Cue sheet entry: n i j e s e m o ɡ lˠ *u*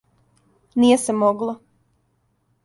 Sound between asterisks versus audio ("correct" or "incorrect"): incorrect